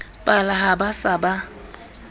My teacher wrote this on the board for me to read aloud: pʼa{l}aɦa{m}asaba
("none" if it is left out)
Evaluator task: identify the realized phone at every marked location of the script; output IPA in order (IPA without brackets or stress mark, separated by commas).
l, b